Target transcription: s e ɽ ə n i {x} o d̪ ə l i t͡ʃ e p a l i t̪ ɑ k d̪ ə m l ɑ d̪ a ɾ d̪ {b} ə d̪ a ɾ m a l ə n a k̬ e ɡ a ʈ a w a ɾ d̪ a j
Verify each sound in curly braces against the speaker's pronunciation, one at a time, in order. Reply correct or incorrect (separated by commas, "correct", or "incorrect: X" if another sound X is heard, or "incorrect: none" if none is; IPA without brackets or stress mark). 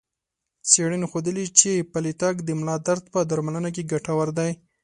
correct, incorrect: p